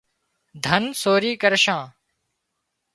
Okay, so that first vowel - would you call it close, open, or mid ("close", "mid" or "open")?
mid